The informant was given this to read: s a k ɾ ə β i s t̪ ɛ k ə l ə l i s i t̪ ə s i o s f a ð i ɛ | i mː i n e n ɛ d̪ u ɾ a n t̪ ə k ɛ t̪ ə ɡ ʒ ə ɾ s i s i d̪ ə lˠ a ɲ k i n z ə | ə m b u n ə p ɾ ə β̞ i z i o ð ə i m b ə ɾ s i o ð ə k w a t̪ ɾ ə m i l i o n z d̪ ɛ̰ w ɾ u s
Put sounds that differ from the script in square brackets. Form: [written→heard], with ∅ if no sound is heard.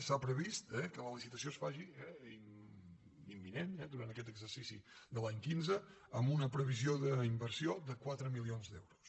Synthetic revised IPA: s a [k→p] ɾ ə β i s t̪ ɛ k ə l ə l i s i t̪ ə s i o s f a [ð→ʒ] i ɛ | i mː i n e n ɛ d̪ u ɾ a n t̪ ə k ɛ t̪ ə ɡ [ʒ→z] ə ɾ s i s i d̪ ə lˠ a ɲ k i n z ə | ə m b u n ə p ɾ ə β̞ i z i o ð ə i m b ə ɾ s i o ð ə k w a t̪ ɾ ə m i l i o n z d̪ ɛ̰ w ɾ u s